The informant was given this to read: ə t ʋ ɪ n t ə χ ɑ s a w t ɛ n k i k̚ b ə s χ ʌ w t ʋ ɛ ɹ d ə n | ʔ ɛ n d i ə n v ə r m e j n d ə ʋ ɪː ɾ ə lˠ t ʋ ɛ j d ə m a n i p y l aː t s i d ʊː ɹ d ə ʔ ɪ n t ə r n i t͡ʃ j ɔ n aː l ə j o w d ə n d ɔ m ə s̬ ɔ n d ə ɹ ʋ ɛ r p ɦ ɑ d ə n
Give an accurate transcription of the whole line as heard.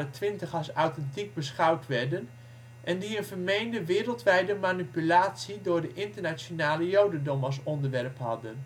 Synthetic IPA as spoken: ə t ʋ ɪ n t ə χ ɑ s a w t ɛ n t i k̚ b ə s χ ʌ w t ʋ ɛ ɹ d ə n | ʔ ɛ n d i ə n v ə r m e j n d ə ʋ ɪː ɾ ə lˠ t ʋ ɛ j d ə m a n i p y l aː t s i d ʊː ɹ d ə ʔ ɪ n t ə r n a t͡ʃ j o n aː l ə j o w d ə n d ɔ m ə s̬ ɔ n d ə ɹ ʋ ɛ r p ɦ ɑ d ə n

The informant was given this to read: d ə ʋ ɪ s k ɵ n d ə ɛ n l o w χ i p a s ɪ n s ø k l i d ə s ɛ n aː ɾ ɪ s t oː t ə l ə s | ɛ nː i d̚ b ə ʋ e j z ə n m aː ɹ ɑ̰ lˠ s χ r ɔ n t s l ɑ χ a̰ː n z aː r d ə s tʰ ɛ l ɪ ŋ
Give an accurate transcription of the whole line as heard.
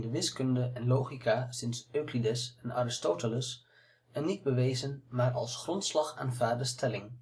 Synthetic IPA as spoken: d ə ʋ ɪ s k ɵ n d ə ɛ n l o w χ i k a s ɪ n s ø k l i d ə s ɛ n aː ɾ ɪ s t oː t ə l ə s | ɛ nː i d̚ b ə ʋ e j z ə n m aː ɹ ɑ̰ lˠ s χ r ɔ n t s l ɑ χ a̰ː n v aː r d ə s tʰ ɛ l ɪ ŋ

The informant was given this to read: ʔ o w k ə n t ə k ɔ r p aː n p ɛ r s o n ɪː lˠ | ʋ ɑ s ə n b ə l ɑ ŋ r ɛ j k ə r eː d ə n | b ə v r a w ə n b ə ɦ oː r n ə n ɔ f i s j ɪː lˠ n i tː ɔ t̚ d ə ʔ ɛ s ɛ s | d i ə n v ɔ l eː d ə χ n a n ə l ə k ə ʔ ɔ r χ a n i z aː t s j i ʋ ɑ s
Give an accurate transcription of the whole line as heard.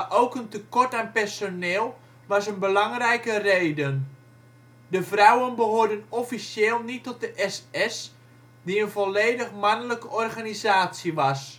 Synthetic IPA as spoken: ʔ o w k ə n t ə k ɔ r t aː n p ɛ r s o n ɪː lˠ | ʋ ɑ s ə n b ə l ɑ ŋ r ɛ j k ə r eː d ə n | d ə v r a w ə n b ə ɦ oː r d ə n ɔ f i s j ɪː lˠ n i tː ɔ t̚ d ə ʔ ɛ s ɛ s | d i ə n v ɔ l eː d ə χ m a n ə l ə k ə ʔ ɔ r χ a n i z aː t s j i ʋ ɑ s

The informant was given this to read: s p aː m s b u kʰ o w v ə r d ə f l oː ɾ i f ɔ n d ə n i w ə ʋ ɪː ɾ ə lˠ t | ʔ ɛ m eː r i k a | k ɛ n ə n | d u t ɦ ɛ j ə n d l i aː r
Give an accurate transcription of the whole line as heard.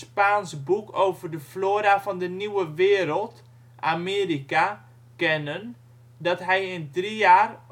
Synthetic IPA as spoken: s p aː n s b u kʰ o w v ə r d ə f l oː ɾ a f ɔ n d ə n i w ə ʋ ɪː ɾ ə lˠ t | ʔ a m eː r i k a | k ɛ n ə n | d ɔ t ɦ ɛ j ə n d r i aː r

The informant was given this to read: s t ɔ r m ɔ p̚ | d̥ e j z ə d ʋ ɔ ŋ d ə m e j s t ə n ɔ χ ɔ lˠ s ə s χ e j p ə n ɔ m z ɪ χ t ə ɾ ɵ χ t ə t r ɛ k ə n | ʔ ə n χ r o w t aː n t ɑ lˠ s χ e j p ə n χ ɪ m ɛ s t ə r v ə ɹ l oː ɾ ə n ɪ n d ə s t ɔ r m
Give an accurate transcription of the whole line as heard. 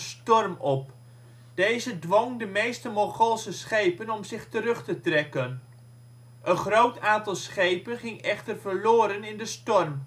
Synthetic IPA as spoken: s t ɔ r m ɔ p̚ | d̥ e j z ə d ʋ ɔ ŋ d ə m e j s t ə m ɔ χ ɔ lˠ s ə s χ e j p ə n ɔ m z ɪ χ t ə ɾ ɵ χ t ə t r ɛ k ə n | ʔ ə n χ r o w t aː n t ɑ lˠ s χ e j p ə n χ ɪ ŋ ɛ χ t ə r v ə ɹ l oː ɾ ə n ɪ n d ə s t ɔ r m

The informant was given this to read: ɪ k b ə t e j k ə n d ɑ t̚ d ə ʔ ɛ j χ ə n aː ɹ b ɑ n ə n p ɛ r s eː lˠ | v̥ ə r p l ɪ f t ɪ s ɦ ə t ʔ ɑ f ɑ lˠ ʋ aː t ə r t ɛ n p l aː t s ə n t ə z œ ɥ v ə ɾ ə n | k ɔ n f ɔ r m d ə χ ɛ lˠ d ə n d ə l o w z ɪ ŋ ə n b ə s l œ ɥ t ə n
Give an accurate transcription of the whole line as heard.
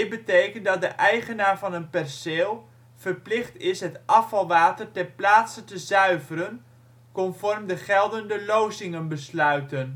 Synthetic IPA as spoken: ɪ b ə t e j k ə n d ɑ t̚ d ə ʔ ɛ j χ ə n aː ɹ v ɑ n ə n p ɛ r s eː lˠ | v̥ ə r p l ɪ χ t ɪ s ɦ ə t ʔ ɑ f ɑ lˠ ʋ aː t ə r t ɛ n p l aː t s ə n t ə z œ ɥ v ə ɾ ə n | k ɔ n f ɔ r m d ə χ ɛ lˠ d ə n d ə l o w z ɪ ŋ ə n b ə s l œ ɥ t ə n

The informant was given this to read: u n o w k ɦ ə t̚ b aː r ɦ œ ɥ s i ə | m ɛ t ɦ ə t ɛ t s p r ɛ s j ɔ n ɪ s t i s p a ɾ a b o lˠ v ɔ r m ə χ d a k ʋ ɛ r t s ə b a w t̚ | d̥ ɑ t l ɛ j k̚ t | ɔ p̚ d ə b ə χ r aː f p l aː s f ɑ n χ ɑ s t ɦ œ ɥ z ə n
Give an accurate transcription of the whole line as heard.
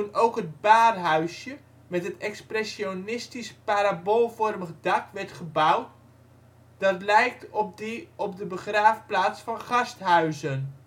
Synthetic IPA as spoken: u n o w k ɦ ə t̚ b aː r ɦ œ ɥ s j ə | m ɛ t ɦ ə t ɛ k s p r ɛ s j o n ɪ s t i s p a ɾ a b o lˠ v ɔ r m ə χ d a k ʋ ɛ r t χ ə b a w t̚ | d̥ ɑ t l ɛ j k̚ t | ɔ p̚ d ə b ə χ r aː f p l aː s f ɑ n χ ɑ s t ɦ œ ɥ z ə n

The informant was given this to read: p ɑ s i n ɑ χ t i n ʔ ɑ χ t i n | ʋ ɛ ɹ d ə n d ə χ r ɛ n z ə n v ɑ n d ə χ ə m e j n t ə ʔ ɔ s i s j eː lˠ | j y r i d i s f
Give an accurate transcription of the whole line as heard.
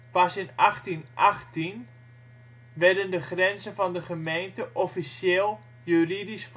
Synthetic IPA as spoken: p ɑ s ɪ n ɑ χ t i n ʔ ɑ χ t i n | ʋ ɛ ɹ d ə n d ə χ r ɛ n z ə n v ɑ n d ə χ ə m e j n t ə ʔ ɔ f i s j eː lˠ | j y r i d i s f

